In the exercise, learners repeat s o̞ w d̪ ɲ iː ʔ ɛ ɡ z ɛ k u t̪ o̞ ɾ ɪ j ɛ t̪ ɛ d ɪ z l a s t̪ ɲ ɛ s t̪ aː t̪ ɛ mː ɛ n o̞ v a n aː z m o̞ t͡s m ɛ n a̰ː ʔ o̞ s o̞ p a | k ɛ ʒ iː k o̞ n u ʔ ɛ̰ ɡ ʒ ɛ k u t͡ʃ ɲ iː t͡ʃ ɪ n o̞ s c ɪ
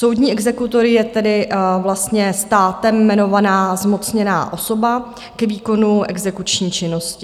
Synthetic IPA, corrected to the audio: s o̞ w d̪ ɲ iː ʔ ɛ ɡ z ɛ k u t̪ o̞ ɾ ɪ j ɛ t̪ ɛ d ɪ v l a s t̪ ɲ ɛ s t̪ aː t̪ ɛ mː ɛ n o̞ v a n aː z m o̞ t͡s ɲ ɛ n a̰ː ʔ o̞ s o̞ b a | k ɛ v iː k o̞ n u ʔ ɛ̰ ɡ z ɛ k u t͡ʃ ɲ iː t͡ʃ ɪ n o̞ s c ɪ